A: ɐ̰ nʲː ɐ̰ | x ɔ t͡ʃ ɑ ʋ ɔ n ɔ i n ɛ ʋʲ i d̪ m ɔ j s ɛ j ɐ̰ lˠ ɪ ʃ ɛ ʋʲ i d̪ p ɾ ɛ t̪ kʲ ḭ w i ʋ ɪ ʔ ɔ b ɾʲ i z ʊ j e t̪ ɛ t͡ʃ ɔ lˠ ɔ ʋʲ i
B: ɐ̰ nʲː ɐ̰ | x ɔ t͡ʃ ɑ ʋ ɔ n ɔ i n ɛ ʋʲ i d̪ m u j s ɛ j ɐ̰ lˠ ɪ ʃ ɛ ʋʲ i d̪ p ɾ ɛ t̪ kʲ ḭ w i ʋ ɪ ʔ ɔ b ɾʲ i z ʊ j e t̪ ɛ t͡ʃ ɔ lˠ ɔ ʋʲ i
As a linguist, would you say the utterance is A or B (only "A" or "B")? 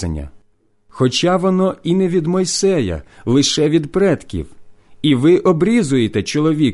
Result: A